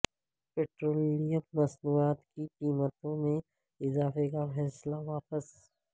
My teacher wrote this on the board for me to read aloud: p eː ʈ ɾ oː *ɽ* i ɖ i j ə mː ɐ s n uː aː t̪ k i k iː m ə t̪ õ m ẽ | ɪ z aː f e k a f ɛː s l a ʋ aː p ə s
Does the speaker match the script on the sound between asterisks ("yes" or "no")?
no